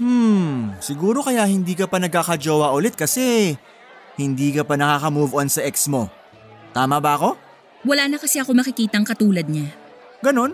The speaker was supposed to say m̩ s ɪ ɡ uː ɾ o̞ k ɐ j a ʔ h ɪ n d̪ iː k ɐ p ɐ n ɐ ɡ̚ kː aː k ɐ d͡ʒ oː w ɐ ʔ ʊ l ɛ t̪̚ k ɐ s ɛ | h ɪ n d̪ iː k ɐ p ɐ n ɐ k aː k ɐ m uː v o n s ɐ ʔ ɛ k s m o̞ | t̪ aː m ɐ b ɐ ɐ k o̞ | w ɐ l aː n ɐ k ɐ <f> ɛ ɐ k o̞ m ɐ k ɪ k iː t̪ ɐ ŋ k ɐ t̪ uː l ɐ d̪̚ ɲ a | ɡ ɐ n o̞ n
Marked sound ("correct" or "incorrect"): incorrect